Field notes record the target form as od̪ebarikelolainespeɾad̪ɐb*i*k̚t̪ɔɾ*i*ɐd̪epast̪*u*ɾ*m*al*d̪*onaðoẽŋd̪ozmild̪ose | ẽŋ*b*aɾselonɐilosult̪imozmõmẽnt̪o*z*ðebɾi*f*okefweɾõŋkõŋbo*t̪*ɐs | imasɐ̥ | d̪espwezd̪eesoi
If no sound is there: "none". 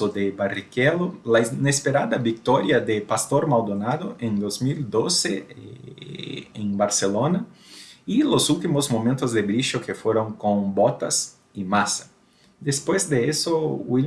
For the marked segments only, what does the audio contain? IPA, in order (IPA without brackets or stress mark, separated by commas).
i, j, o, m, d̪, b, z, ʃ, t̪